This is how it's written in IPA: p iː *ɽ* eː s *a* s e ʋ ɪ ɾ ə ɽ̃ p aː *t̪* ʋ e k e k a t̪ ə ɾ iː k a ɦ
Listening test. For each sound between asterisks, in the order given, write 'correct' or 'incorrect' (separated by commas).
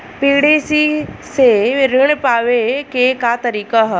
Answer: correct, incorrect, incorrect